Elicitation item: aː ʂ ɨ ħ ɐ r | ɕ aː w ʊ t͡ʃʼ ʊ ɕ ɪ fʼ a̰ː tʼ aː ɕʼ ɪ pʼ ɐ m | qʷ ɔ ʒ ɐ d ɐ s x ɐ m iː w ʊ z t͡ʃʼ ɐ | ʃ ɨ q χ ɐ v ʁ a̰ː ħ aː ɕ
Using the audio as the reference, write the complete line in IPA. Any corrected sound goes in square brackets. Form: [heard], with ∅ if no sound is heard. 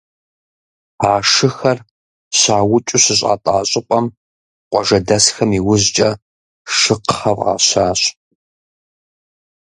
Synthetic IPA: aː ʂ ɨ [x] ɐ r | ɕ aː w ʊ t͡ʃʼ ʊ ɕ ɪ [ɕʼ] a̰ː tʼ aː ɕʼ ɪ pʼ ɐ m | qʷ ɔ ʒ ɐ d ɐ s x ɐ m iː w ʊ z t͡ʃʼ ɐ | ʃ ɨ q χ ɐ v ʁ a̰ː [ɕ] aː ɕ